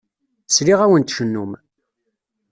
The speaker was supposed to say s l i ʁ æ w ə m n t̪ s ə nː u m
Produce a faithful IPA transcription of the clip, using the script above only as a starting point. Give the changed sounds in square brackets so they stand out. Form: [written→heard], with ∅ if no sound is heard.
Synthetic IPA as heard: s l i ʁ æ w ə [m→∅] n t̪ [s→ʃ] ə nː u m